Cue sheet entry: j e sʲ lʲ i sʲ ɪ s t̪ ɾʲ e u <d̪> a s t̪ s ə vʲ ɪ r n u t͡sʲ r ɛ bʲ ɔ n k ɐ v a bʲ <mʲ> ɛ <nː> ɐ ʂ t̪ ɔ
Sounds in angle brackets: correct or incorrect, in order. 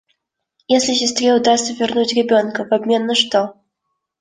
correct, correct, correct

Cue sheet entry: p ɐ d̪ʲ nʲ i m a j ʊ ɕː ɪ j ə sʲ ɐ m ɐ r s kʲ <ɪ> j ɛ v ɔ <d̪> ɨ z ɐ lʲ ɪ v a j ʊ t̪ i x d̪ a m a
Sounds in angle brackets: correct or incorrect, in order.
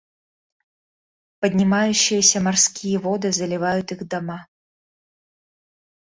incorrect: i, correct

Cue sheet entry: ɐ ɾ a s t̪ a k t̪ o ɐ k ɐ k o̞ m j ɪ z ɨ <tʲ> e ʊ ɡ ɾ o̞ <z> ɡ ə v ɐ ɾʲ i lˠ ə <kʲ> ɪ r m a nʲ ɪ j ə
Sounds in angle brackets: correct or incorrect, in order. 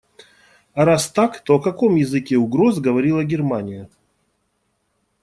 incorrect: kʲ, correct, incorrect: ɡʲ

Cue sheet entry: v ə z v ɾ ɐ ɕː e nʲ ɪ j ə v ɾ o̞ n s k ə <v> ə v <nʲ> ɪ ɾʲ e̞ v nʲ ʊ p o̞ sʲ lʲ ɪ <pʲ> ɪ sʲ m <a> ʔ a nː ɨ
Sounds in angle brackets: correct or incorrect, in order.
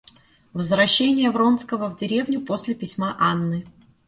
correct, incorrect: dʲ, correct, correct

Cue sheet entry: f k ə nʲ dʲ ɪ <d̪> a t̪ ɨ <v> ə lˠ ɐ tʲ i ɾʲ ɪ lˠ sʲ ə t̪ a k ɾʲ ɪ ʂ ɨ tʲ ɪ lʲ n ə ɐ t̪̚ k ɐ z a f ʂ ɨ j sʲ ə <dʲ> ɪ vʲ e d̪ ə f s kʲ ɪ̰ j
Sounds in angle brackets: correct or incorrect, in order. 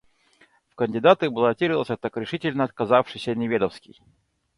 correct, incorrect: b, incorrect: nʲ

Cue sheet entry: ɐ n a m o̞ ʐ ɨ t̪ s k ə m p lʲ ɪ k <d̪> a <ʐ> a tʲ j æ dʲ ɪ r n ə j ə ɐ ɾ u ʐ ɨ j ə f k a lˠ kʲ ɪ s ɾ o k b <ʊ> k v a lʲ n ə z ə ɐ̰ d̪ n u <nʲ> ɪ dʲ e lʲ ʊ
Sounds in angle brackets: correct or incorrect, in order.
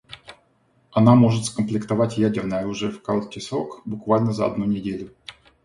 incorrect: t̪, incorrect: v, correct, correct

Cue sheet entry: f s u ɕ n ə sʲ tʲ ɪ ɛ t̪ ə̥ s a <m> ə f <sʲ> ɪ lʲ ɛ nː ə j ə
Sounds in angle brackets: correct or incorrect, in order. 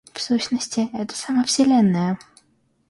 correct, correct

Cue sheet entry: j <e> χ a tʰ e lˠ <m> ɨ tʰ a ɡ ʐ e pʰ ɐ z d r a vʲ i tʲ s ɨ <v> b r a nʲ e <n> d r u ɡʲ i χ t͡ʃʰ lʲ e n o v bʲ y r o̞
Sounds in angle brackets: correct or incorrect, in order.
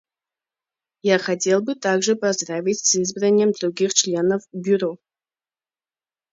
incorrect: a, incorrect: b, incorrect: z, incorrect: m

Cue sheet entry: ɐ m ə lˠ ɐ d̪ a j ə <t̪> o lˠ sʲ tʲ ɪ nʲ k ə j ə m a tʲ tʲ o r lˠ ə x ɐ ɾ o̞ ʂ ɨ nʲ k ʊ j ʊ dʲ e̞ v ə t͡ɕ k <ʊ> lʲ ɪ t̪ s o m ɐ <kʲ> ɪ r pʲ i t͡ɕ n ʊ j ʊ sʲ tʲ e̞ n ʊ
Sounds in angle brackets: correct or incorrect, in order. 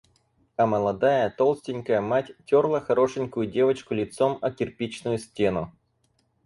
correct, correct, correct

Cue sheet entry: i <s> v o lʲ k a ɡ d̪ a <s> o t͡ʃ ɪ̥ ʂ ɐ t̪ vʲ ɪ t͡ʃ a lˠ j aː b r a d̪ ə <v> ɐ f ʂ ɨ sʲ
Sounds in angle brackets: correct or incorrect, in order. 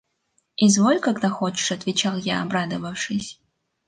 incorrect: z, incorrect: x, correct

